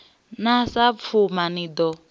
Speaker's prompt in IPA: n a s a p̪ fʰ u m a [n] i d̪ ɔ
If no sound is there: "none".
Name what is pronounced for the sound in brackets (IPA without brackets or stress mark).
n